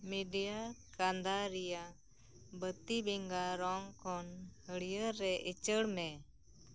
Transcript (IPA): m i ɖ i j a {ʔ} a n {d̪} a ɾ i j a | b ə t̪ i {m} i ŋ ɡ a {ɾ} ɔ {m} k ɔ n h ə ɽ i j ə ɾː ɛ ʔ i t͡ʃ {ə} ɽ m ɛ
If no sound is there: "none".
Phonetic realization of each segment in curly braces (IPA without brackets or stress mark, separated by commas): k, d̪, b, ɾ, ŋ, ə